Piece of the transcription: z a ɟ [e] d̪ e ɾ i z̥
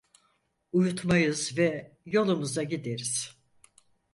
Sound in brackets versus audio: incorrect: i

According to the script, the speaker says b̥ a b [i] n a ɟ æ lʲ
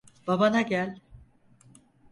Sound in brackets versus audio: incorrect: a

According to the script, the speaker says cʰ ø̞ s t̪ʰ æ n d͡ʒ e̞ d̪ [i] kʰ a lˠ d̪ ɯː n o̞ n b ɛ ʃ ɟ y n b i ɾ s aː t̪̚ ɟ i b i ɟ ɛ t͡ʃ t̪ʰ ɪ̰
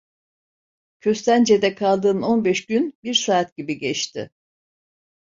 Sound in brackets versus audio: incorrect: ɛ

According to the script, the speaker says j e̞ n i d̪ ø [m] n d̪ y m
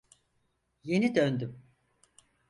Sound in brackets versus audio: incorrect: none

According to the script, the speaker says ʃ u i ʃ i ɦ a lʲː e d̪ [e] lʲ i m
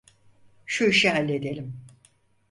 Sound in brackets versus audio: correct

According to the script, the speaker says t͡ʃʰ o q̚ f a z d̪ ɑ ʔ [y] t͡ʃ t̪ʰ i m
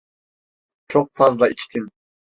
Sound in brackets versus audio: incorrect: i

